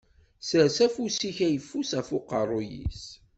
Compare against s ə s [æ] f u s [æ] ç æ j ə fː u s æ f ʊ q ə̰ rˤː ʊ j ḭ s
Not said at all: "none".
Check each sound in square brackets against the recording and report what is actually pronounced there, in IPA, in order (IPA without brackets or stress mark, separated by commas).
æ, i